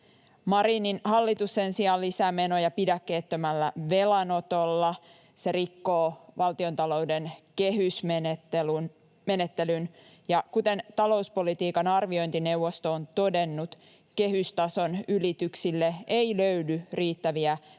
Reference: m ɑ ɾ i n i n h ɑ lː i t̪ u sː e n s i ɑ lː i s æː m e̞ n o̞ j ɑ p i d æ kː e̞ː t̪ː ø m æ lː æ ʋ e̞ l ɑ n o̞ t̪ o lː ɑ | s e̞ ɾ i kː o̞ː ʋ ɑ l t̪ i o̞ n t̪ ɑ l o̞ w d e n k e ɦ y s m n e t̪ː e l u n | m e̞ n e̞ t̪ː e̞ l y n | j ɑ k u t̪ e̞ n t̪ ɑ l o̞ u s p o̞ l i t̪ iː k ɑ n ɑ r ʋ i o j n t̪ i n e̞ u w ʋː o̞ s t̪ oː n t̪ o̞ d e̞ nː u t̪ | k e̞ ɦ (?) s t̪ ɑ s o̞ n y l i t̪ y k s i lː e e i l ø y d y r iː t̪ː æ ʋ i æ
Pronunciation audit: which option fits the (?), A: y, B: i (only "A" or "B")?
A